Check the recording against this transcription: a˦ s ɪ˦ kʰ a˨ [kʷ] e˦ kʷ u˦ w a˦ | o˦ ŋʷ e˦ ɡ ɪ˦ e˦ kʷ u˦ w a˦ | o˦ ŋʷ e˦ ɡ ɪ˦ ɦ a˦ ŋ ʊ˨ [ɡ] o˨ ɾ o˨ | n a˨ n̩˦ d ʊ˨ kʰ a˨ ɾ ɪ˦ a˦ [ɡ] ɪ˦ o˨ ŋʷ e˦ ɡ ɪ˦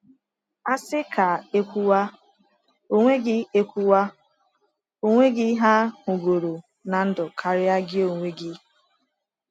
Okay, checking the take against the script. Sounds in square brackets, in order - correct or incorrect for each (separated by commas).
incorrect, correct, correct